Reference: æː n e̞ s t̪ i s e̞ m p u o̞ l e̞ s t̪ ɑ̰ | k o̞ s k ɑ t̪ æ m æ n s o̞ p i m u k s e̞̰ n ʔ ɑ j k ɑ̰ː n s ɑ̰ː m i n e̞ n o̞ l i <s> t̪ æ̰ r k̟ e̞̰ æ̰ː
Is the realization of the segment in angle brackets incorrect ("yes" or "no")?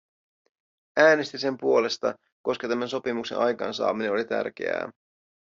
yes